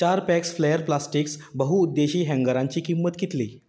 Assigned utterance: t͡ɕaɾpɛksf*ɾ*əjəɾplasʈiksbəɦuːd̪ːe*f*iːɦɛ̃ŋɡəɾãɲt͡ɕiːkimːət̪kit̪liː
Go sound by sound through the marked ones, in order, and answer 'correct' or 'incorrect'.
incorrect: l, incorrect: ɕ

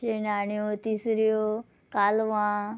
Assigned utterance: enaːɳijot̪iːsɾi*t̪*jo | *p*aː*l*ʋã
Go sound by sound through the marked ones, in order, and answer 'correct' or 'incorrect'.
incorrect: none, incorrect: k, correct

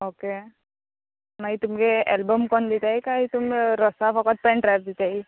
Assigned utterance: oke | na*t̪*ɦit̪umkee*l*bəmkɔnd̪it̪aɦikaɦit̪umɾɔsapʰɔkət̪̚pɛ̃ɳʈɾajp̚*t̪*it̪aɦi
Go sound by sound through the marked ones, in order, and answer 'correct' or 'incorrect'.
incorrect: none, correct, incorrect: d̪

